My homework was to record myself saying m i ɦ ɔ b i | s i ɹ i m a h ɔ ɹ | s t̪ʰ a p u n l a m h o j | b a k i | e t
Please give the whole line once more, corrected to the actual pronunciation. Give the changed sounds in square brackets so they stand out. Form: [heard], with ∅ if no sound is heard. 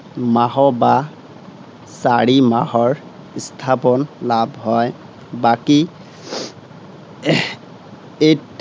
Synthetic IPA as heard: m [a] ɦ ɔ b [a] | s [a] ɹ i m a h ɔ ɹ | s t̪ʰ a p [ɔ] n l a [b] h [ɔ] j | b a k i | e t